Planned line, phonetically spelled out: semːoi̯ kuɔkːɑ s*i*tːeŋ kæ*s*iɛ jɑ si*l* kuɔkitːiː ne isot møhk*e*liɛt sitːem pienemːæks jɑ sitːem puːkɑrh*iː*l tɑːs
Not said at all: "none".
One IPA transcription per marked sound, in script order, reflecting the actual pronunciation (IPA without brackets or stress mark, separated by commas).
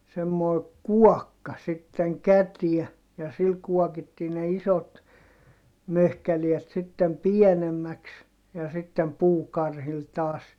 i, t, l, æ, i